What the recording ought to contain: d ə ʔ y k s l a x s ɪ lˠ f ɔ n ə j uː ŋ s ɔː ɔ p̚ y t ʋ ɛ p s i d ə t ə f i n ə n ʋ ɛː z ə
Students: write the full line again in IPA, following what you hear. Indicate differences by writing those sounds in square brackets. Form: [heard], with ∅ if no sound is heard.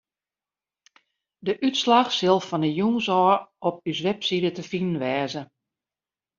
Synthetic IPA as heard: d ə ʔ y [t] s l a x s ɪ lˠ f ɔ n ə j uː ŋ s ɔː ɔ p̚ y [s] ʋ ɛ p s i d ə t ə f i n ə n ʋ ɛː z ə